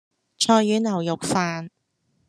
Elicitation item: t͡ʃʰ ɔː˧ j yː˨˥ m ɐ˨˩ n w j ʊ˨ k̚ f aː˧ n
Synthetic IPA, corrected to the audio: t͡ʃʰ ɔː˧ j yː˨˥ n ɐ˨˩ w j ʊ˨ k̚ f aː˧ n